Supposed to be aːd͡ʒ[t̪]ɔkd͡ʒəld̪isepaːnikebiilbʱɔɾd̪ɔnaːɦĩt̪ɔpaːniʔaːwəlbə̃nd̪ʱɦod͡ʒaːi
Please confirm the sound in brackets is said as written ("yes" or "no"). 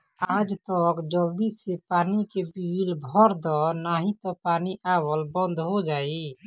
yes